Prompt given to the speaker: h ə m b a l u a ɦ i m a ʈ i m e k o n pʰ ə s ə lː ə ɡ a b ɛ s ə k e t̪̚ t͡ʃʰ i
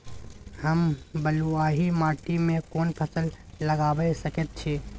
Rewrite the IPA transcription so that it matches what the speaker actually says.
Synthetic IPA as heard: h ə m b ə l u a ɦ i m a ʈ i m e k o n pʰ ə s ə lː ə ɡ a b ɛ s ə k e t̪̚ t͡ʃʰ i